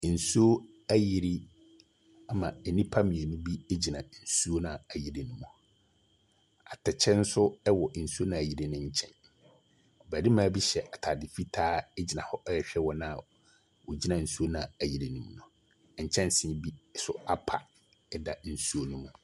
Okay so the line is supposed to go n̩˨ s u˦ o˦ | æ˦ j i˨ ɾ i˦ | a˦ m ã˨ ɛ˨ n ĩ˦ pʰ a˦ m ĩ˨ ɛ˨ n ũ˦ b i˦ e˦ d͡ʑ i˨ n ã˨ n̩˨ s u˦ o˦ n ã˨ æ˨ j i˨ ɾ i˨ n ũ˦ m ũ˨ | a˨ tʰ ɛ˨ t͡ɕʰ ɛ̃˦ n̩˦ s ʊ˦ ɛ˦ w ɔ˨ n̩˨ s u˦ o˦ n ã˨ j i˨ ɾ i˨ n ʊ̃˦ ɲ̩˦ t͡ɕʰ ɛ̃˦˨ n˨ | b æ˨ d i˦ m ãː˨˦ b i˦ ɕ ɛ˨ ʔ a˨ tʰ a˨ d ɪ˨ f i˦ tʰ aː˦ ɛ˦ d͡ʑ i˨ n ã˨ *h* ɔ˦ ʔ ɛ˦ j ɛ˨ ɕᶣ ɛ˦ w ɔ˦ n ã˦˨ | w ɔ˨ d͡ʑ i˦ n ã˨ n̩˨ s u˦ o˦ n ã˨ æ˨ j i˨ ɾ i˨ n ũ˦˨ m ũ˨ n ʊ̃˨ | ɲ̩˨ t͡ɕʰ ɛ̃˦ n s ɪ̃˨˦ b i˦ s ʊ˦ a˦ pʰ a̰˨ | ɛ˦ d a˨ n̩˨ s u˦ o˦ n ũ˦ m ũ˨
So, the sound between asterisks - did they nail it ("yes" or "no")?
yes